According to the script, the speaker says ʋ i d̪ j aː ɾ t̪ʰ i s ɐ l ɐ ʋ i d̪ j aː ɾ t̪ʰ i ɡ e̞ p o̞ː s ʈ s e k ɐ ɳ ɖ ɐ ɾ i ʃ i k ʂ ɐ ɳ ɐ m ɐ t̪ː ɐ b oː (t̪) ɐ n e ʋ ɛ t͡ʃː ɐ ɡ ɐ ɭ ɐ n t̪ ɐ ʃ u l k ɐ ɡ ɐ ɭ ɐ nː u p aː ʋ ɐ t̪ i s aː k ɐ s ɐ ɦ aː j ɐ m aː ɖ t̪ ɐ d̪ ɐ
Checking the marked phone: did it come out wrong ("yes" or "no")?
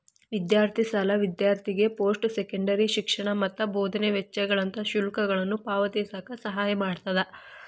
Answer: yes